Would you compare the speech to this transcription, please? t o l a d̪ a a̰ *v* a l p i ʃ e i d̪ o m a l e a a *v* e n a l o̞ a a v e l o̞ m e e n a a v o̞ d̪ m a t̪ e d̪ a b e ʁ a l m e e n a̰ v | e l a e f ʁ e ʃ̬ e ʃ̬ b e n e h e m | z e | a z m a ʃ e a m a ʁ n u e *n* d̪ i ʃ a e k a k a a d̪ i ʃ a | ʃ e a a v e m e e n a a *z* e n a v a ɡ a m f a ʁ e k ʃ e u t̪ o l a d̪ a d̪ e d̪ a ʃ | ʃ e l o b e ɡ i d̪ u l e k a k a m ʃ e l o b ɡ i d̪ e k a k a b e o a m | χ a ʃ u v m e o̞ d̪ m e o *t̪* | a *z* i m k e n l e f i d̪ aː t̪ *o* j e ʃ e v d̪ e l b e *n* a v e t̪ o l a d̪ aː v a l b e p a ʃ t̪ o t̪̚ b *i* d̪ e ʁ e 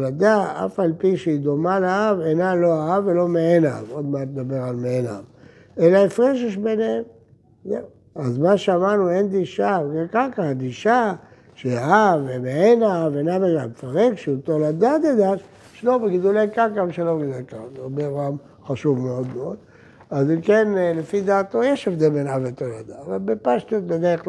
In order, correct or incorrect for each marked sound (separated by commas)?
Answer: incorrect, correct, correct, incorrect, incorrect, correct, correct, correct, incorrect